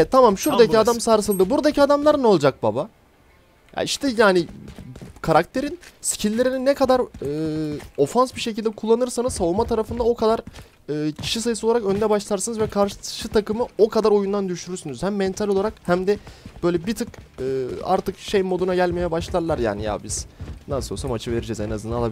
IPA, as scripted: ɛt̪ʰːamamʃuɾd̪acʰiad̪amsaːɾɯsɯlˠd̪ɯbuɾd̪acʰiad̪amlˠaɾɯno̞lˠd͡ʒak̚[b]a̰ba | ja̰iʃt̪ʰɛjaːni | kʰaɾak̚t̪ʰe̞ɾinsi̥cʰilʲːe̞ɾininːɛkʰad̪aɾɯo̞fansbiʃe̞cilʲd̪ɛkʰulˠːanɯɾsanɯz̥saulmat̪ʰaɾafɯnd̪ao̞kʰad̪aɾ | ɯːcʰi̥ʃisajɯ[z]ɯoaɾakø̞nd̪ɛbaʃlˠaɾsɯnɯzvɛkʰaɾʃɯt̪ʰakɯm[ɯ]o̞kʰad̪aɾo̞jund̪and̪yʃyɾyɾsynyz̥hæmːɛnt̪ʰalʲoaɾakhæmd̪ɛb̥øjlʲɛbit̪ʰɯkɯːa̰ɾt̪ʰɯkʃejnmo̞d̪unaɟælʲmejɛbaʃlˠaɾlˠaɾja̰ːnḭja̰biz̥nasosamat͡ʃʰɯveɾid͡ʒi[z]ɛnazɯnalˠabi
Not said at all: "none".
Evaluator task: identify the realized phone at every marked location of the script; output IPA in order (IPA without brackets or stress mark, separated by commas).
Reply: b, s, ɯ, z